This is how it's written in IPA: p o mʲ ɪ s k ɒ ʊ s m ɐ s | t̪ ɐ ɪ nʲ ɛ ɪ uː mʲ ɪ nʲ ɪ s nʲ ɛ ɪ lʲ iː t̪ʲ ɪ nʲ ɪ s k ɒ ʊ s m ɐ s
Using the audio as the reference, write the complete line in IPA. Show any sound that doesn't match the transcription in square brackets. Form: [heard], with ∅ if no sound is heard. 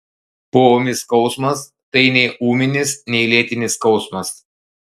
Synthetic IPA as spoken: p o mʲ ɪ s k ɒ ʊ s m ɐ s | t̪ ɐ ɪ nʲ ɛ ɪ uː mʲ ɪ nʲ ɪ s nʲ ɛ ɪ lʲ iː t̪ʲ ɪ nʲ ɪ s k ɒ ʊ s m ɐ s